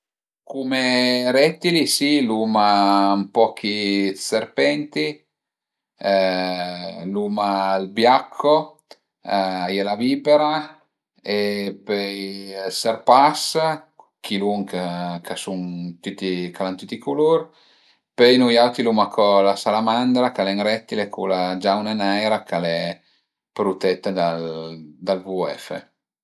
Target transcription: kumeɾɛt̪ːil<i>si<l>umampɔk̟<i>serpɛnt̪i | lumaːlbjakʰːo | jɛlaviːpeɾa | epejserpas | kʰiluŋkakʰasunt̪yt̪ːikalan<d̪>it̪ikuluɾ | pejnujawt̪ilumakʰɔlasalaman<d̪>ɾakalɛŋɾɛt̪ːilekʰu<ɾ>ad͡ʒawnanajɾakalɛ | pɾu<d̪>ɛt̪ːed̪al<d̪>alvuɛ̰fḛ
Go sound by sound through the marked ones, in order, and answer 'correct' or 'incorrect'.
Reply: correct, correct, correct, incorrect: t̪, correct, incorrect: l, incorrect: t̪, correct

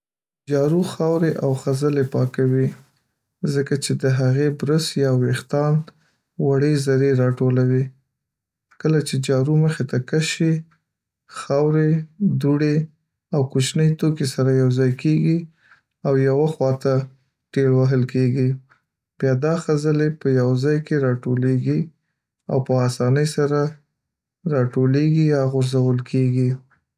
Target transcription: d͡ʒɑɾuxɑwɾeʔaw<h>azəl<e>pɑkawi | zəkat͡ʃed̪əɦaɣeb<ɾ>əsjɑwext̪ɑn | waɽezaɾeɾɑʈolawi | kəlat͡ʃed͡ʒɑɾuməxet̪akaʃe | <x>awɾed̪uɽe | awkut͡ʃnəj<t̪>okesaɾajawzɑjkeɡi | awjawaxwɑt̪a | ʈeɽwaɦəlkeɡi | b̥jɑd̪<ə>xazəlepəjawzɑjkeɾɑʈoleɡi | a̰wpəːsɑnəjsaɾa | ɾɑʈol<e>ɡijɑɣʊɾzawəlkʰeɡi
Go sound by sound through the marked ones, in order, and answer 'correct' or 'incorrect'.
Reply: incorrect: x, correct, correct, correct, correct, incorrect: ɑ, correct

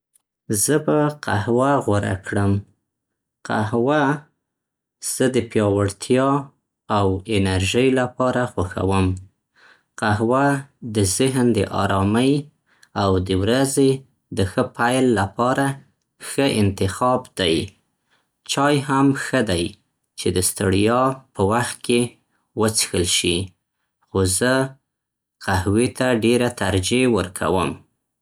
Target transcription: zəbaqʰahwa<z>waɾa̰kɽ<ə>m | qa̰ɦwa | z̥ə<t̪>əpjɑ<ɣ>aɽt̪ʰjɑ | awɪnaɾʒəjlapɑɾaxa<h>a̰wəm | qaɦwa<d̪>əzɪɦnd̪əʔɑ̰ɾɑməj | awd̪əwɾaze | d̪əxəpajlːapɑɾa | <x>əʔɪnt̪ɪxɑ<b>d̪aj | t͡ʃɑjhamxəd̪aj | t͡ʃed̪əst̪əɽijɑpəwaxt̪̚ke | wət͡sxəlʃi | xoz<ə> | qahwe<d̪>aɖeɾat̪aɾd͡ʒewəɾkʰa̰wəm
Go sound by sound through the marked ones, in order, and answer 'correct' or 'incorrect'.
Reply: incorrect: ɣ, correct, incorrect: d̪, incorrect: w, incorrect: x, correct, correct, correct, correct, incorrect: t̪

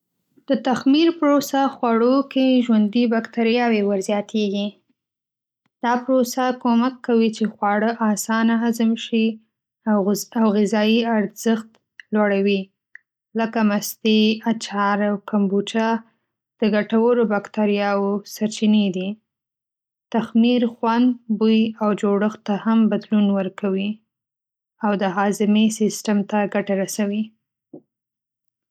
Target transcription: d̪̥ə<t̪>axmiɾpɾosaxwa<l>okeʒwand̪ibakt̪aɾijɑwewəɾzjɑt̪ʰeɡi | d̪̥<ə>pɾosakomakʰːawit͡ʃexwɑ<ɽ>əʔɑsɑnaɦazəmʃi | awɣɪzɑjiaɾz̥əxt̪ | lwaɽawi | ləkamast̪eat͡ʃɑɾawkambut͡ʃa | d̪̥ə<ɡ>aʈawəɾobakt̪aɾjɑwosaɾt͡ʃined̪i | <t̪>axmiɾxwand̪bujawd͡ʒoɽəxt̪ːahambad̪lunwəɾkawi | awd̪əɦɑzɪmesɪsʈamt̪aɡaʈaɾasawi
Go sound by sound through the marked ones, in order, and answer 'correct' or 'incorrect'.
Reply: correct, incorrect: ɽ, incorrect: ɑ, correct, correct, correct

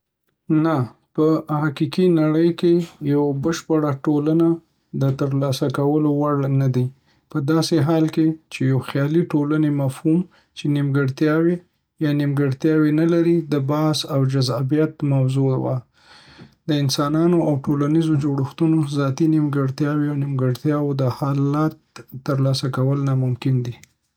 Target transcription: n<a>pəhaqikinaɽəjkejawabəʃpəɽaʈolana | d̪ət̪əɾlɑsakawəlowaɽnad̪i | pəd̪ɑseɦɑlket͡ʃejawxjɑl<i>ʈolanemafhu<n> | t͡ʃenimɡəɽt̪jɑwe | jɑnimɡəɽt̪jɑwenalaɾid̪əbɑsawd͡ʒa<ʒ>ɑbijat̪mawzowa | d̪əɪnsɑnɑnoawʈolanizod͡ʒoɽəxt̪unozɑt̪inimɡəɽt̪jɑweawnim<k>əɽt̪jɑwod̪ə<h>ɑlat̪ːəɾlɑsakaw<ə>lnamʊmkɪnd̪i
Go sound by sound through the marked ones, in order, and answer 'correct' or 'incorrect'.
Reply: correct, correct, incorrect: m, incorrect: z, incorrect: ɡ, correct, correct

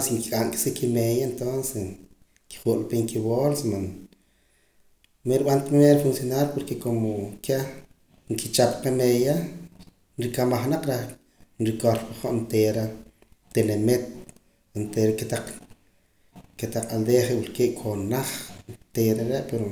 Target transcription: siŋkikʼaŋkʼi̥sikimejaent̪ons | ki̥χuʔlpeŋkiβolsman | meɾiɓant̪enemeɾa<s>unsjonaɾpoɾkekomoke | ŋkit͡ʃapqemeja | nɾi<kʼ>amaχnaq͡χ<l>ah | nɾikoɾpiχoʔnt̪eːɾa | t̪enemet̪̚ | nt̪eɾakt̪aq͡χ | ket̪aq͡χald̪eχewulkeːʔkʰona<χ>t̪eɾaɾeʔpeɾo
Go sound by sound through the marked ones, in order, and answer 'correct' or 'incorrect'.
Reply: incorrect: f, incorrect: k, incorrect: ɾ, correct

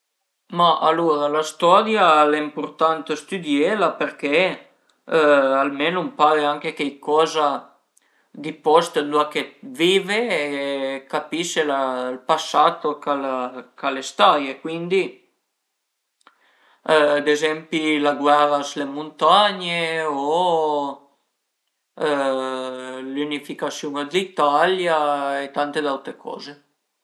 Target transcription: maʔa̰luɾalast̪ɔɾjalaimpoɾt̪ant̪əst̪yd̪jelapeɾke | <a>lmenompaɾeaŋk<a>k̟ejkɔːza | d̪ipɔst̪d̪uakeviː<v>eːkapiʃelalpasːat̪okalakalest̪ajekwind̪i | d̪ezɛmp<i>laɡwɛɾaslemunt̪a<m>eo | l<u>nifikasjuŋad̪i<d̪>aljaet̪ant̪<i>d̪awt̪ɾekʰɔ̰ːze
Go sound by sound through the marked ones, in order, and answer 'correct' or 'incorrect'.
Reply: correct, incorrect: e, correct, correct, incorrect: ɲ, correct, incorrect: t̪, incorrect: e

